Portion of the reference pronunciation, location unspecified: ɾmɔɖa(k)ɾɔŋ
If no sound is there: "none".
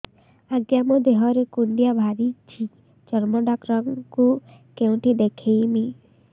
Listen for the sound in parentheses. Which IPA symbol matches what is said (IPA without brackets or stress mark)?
k